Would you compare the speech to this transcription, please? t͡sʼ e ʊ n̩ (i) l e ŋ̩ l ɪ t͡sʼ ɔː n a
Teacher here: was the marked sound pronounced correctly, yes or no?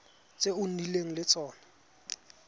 yes